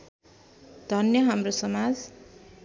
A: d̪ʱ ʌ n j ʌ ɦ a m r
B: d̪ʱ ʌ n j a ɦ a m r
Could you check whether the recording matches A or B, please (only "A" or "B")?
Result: A